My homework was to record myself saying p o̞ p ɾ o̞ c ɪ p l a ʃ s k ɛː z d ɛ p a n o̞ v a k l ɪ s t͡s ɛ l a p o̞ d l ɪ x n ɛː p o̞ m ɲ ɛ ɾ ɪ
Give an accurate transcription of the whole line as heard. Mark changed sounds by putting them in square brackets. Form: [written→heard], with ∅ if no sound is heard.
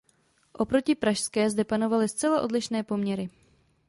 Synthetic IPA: [p→ʔ] o̞ p ɾ o̞ c ɪ p [l→ɾ] a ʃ s k ɛː z d ɛ p a n o̞ v a [k→∅] l ɪ s t͡s ɛ l a [p→ʔ] o̞ d l ɪ [x→ʃ] n ɛː p o̞ m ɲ ɛ ɾ ɪ